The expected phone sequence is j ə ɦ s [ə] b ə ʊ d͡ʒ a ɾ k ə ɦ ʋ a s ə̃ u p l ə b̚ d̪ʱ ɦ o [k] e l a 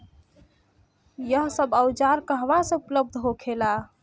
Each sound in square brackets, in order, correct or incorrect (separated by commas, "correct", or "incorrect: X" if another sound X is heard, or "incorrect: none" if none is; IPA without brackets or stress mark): correct, incorrect: kʰ